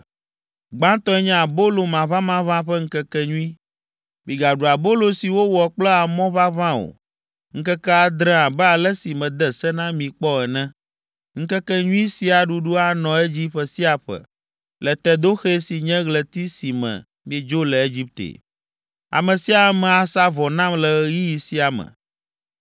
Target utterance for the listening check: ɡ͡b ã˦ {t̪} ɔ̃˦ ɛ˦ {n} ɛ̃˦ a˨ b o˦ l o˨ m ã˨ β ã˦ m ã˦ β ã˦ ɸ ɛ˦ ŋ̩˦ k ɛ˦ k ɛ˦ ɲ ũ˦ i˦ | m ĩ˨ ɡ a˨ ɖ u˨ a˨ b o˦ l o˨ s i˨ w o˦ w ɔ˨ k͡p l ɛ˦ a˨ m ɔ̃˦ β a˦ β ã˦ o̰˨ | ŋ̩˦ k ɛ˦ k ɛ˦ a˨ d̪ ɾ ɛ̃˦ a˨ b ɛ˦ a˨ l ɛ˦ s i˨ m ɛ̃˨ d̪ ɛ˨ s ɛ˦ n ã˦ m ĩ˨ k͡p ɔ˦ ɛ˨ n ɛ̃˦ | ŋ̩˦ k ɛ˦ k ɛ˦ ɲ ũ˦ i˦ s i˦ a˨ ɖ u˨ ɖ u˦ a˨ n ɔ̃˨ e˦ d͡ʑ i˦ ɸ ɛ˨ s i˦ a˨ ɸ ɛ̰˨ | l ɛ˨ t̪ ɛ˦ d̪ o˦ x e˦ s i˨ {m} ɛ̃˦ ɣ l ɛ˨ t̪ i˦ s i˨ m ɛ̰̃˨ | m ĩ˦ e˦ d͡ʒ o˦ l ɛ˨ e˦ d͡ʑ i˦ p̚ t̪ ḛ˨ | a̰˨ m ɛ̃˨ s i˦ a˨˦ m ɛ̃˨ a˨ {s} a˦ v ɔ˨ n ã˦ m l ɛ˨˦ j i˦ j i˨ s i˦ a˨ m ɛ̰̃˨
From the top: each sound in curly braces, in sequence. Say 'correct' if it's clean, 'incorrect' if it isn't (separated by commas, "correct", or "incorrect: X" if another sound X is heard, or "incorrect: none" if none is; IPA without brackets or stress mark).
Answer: correct, incorrect: ɲ, incorrect: ɲ, correct